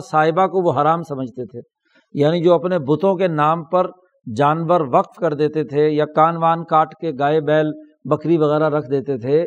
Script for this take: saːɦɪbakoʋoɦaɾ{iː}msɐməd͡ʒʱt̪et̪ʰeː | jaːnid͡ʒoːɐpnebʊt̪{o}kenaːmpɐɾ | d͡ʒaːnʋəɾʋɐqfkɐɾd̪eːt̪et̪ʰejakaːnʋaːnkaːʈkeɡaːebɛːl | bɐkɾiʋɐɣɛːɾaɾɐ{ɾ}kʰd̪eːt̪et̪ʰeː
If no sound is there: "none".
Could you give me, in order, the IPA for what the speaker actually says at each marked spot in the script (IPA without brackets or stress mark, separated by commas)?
aː, õ, none